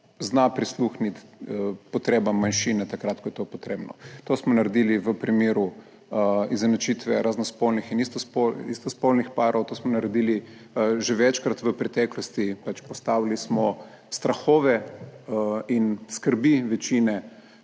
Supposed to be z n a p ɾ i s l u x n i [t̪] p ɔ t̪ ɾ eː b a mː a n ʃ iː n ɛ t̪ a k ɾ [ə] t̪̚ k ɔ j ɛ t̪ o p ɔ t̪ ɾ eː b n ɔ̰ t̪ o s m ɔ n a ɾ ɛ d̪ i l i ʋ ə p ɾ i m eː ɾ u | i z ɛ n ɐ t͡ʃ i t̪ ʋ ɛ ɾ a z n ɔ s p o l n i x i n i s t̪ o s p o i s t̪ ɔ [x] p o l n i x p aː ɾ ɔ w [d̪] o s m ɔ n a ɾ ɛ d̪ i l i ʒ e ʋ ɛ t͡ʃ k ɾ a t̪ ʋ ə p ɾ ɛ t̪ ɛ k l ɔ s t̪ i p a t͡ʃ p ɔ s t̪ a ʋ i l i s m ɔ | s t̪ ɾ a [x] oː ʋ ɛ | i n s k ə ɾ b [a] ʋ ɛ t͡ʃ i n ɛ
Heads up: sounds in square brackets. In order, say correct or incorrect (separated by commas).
correct, incorrect, incorrect, incorrect, correct, incorrect